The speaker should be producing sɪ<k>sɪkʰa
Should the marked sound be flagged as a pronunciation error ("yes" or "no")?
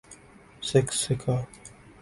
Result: no